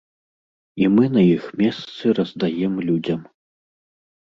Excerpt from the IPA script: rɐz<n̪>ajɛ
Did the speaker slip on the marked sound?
yes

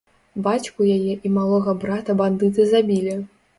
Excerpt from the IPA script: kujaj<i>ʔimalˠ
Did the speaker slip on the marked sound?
yes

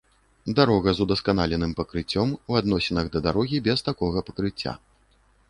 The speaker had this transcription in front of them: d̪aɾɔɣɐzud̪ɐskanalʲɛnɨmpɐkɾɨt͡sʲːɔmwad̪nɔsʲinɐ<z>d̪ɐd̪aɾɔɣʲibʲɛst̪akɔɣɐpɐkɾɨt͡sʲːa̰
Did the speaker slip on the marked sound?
yes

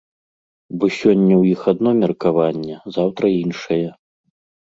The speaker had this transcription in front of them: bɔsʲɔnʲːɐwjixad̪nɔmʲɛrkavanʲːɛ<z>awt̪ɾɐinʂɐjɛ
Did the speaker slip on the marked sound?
no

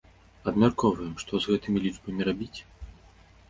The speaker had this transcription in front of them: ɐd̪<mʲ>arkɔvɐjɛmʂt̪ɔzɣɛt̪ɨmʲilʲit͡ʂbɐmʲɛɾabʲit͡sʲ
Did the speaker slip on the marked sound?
no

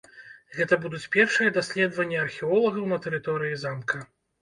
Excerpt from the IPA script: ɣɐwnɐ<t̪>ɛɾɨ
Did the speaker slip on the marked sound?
no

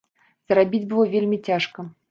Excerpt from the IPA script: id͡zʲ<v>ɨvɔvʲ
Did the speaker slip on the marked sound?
yes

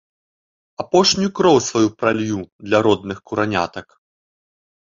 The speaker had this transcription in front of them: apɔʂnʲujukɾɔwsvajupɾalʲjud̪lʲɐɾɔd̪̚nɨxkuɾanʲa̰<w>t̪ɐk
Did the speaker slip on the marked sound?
yes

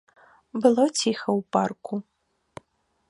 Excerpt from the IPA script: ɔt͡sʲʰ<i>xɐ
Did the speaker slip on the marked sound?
no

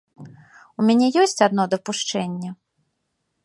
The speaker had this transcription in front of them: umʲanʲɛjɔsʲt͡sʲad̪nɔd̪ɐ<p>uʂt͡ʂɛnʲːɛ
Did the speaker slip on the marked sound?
no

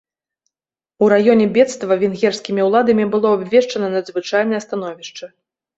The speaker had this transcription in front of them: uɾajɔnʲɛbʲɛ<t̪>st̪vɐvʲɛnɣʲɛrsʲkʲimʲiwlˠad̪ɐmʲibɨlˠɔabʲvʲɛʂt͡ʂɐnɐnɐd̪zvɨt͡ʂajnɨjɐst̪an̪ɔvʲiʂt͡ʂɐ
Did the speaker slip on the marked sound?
no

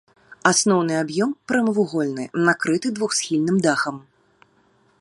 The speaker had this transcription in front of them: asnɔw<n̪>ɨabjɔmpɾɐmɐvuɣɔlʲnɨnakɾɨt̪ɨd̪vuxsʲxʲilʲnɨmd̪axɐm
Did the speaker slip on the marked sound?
no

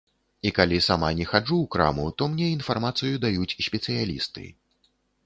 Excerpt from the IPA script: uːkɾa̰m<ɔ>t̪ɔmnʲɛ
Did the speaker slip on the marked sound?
yes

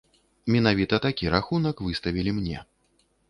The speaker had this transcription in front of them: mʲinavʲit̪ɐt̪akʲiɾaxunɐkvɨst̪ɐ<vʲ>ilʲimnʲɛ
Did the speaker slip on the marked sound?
no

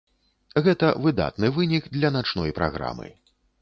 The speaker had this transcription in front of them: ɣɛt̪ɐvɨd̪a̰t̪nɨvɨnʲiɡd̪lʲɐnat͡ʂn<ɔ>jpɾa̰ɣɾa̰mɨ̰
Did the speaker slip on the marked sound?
no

